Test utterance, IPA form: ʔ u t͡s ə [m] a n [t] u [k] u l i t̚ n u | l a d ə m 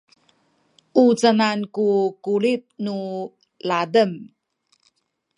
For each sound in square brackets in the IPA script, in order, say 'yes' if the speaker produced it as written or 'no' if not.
no, no, yes

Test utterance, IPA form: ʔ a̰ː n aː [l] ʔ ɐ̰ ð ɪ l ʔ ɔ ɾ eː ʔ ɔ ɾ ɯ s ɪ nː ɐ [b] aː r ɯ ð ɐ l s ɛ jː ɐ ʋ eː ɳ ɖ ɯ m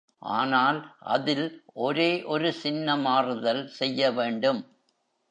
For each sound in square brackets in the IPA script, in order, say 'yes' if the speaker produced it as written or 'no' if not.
yes, no

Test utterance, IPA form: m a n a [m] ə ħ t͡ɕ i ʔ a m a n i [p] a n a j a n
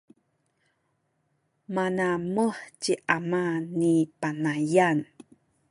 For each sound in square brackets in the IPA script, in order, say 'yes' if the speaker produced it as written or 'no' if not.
yes, yes

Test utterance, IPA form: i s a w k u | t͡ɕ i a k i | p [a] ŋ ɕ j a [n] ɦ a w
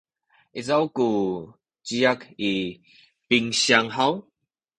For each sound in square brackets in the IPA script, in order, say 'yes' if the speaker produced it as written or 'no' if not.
no, no

